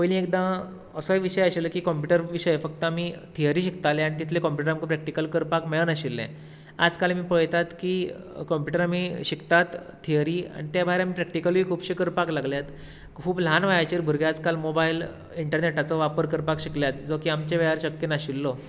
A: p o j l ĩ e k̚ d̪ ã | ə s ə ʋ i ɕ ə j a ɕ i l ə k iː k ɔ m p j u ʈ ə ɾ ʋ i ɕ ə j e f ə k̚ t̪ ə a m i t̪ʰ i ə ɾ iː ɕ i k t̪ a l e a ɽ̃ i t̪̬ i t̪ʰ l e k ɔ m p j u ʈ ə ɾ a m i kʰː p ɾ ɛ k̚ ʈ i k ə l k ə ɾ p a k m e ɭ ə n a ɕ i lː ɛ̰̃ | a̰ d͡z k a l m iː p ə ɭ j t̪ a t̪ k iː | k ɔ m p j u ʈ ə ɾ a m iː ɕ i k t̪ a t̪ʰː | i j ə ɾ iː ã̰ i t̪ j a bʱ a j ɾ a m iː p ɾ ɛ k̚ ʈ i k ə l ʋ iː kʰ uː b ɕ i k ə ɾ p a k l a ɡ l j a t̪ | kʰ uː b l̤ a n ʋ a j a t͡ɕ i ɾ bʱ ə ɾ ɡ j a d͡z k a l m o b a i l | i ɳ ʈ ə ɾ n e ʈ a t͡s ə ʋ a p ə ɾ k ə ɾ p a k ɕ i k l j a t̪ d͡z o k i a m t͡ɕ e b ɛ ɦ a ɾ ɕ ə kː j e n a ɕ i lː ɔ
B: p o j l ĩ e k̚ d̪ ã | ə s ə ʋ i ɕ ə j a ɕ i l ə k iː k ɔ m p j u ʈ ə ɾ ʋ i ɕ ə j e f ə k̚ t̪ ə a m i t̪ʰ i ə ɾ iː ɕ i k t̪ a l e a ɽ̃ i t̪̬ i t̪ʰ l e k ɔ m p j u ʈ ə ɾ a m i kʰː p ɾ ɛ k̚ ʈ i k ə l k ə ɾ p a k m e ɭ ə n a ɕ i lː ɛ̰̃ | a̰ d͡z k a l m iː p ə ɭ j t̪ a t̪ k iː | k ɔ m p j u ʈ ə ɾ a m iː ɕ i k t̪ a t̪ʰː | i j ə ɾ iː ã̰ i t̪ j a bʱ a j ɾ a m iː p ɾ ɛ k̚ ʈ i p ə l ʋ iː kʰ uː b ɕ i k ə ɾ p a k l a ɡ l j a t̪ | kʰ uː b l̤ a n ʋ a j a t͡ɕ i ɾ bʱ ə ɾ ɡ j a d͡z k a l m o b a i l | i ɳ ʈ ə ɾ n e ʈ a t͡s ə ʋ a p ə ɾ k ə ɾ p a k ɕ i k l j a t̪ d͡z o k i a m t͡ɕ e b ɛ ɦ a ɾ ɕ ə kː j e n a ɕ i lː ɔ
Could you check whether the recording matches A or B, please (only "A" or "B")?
A